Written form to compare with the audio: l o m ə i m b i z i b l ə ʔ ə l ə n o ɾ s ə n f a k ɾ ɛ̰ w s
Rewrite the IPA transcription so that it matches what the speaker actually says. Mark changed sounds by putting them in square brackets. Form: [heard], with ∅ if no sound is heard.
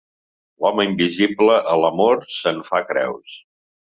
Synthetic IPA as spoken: l [ɔ] m ə i m b i z i b l ə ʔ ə l ə [m] o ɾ s ə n f a k ɾ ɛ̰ w s